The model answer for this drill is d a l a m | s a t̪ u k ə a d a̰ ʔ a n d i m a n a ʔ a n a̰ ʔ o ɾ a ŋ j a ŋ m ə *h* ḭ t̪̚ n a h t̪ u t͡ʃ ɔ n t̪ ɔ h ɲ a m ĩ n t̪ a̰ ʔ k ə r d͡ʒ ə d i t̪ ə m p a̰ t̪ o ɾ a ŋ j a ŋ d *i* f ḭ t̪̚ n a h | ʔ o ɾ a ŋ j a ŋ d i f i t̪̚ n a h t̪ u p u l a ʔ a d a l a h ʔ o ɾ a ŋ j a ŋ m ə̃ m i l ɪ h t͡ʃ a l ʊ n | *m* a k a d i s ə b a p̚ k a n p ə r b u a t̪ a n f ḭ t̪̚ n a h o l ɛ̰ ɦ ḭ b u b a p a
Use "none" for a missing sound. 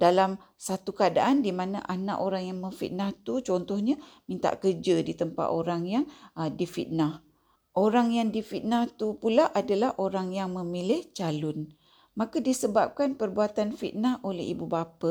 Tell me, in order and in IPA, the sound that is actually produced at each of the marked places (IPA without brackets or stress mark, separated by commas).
f, i, m